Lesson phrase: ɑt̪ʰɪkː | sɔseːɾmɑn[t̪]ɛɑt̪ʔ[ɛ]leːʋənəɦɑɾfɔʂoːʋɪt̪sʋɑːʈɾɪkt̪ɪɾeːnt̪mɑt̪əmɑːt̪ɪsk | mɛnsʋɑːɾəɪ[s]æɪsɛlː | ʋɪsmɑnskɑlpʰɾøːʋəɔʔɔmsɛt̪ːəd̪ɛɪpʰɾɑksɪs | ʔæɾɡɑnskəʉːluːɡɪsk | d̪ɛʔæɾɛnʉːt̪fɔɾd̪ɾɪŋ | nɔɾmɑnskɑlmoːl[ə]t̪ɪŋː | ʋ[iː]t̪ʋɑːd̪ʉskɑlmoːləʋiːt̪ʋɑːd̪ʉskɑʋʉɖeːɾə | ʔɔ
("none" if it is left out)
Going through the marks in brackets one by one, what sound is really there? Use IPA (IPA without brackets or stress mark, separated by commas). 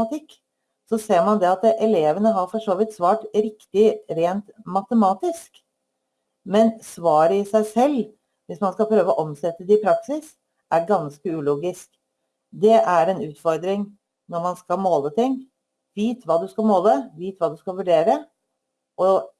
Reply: d̪, ɛ, s, ə, iː